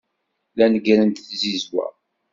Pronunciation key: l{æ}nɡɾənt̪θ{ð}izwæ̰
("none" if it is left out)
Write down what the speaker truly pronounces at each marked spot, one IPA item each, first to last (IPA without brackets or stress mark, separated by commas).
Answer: æ, z